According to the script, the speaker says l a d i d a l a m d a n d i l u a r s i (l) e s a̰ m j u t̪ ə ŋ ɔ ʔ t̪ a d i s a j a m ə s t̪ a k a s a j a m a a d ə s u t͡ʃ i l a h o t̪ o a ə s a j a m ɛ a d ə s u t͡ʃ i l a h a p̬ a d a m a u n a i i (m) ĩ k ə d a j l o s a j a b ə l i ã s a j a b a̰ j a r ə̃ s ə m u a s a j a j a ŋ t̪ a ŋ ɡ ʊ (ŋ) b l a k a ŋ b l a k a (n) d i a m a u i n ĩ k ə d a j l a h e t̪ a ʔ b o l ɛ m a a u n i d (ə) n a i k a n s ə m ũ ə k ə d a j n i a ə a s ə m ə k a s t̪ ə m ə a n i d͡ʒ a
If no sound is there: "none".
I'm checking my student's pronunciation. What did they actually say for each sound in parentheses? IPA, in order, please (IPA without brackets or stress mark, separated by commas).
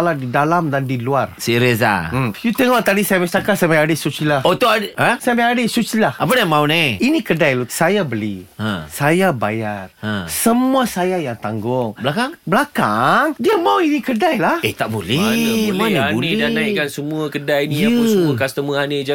ɾ, n, ŋ, ŋ, a